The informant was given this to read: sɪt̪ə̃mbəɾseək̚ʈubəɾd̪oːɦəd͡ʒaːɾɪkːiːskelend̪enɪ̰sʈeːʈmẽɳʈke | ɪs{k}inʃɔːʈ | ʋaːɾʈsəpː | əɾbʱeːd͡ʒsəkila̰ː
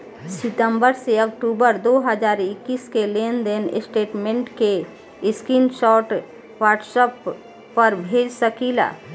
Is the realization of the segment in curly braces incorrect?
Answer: no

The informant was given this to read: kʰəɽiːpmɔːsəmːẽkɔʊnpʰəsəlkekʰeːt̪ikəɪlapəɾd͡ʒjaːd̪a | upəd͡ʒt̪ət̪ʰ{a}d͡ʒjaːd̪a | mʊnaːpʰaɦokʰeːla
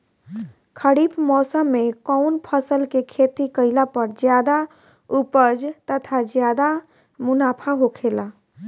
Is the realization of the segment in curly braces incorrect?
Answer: no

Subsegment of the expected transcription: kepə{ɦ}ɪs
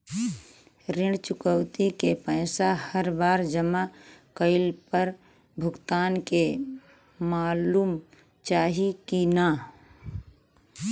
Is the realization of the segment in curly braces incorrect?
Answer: yes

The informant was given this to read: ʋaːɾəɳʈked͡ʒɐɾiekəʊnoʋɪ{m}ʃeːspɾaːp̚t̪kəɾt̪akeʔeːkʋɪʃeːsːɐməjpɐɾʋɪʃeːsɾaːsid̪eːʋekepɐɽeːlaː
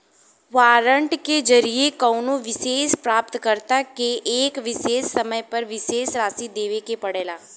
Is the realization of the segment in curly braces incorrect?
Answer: yes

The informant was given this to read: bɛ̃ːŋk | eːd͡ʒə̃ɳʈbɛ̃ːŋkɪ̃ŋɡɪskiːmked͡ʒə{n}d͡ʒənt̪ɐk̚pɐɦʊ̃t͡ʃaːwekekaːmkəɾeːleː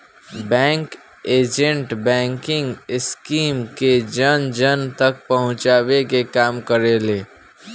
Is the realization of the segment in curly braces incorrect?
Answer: no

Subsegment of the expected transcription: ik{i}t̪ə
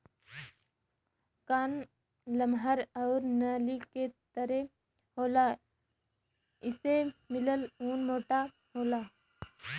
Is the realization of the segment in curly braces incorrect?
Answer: yes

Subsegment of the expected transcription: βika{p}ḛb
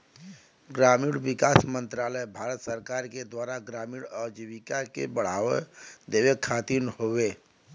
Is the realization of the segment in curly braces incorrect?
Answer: yes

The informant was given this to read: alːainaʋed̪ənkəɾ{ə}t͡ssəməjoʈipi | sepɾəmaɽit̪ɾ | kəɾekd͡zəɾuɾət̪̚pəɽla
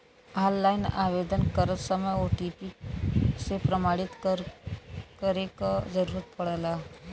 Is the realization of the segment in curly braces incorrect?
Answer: no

